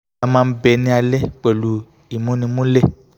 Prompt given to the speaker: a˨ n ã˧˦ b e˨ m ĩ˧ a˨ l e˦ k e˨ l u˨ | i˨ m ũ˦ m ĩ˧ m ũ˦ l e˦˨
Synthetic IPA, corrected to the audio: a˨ m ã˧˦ b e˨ n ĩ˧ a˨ l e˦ k͡p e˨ l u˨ | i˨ m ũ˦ n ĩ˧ m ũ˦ l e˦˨